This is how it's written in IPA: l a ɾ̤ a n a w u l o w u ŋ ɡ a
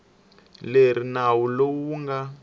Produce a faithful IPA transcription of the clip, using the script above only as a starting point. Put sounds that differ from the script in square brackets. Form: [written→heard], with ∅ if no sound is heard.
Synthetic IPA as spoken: l [a→e] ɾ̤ [a→i] n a w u l o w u ŋ ɡ a

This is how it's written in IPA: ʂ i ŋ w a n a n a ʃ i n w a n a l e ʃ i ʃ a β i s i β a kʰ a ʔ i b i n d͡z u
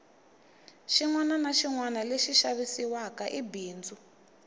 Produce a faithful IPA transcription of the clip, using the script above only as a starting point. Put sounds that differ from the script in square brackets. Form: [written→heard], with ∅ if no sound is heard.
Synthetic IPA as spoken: [ʂ→ʃ] i ŋ w a n a n a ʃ i [n→ŋ] w a n a l e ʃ i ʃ a β i s i [β→w] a [kʰ→k] a ʔ i b [i→iː] n d͡z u

